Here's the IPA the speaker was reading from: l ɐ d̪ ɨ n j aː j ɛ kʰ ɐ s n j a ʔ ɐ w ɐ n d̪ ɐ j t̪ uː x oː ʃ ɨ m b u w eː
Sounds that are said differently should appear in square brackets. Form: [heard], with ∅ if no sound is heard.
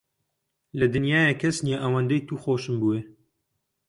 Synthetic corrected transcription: l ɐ d̪ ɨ n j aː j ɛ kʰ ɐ s n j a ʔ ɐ w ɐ n d̪ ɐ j t̪ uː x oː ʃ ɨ m b u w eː

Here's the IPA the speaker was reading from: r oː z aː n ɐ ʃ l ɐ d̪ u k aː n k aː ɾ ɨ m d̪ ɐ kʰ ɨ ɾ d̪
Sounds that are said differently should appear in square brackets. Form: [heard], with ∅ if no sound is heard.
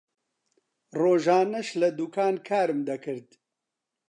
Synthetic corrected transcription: r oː [ʒ] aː n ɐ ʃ l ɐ d̪ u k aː n [kʰ] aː ɾ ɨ m d̪ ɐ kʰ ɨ ɾ d̪

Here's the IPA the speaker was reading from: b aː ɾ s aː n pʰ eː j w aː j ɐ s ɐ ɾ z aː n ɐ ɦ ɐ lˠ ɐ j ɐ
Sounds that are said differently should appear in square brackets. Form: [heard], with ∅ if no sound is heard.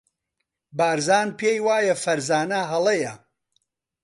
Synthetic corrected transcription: b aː ɾ [z] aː n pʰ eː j w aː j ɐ [f] ɐ ɾ z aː n ɐ ɦ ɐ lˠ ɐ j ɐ

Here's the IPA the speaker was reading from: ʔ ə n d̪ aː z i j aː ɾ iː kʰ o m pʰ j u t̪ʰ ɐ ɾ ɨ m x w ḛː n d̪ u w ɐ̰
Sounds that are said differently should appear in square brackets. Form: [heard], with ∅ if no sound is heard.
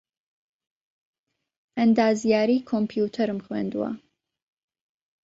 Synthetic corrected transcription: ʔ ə n d̪ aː z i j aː ɾ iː kʰ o m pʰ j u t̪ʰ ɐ ɾ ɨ m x w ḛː n d̪ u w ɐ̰

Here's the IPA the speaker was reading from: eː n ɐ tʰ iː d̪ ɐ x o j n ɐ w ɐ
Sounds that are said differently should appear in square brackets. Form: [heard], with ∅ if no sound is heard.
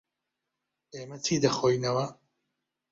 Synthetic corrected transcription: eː [m] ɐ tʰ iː d̪ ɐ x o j n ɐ w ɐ

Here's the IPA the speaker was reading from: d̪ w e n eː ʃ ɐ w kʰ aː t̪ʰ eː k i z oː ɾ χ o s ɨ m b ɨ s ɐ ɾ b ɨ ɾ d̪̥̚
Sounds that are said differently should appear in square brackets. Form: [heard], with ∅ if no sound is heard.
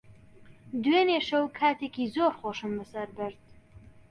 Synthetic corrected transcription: d̪ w e n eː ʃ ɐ w kʰ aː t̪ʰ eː k i z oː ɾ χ o [ʃ] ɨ m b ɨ s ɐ ɾ b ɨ ɾ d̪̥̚

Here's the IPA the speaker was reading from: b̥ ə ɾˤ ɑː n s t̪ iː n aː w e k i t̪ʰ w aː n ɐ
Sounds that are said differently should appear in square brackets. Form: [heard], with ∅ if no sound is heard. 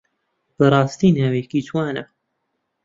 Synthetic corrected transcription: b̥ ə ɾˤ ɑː [∅] s t̪ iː n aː w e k i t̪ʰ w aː n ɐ

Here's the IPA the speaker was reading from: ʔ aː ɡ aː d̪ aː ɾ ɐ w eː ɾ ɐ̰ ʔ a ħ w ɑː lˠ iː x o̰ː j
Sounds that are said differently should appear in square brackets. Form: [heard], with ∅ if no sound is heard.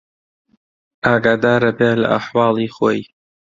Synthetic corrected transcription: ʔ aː ɡ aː d̪ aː ɾ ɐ [b] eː [l] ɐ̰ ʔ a ħ w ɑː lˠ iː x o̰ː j

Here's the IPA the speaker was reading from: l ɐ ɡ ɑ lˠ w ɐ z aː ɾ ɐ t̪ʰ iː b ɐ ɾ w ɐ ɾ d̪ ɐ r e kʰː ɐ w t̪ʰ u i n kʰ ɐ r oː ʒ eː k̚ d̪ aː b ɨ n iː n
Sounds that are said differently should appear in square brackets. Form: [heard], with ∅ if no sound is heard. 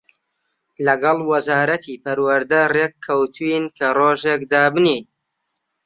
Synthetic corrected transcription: l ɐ ɡ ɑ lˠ w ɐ z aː ɾ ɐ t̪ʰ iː [p] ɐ ɾ w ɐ ɾ d̪ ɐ r e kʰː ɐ w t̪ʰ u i n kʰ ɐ r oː ʒ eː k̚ d̪ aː b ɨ n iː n

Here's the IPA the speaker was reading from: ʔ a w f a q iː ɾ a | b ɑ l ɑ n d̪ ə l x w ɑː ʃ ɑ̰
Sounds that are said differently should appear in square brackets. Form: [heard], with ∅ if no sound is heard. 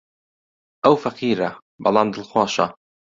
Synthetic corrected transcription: ʔ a w f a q iː ɾ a | b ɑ l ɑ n d̪ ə l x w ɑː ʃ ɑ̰

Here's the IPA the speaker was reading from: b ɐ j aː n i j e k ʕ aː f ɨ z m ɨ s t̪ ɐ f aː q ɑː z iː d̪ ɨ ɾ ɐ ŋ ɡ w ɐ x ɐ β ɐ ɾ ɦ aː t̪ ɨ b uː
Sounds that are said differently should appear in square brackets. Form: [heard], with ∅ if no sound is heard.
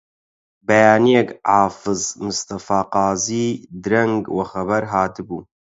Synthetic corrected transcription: b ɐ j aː n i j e k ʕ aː f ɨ z m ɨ s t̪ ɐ f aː q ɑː z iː d̪ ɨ ɾ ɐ ŋ ɡ w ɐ x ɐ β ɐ ɾ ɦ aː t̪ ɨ b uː

